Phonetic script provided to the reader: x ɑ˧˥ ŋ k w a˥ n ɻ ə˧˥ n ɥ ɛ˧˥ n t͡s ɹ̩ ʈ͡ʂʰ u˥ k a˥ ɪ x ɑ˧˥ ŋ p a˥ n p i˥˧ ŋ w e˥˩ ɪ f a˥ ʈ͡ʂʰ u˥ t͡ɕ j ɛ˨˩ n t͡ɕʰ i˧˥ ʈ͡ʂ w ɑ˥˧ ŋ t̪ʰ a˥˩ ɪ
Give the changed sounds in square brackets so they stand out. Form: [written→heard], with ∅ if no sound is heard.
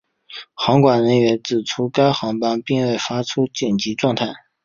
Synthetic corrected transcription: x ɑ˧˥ ŋ k w [a˥→a˨˩] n ɻ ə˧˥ n ɥ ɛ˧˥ n t͡s ɹ̩ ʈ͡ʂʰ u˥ k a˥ ɪ x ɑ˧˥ ŋ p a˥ n p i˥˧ ŋ w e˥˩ ɪ f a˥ ʈ͡ʂʰ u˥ t͡ɕ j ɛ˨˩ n [t͡ɕʰ→t͡ɕ] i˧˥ ʈ͡ʂ w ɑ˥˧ ŋ t̪ʰ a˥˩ ɪ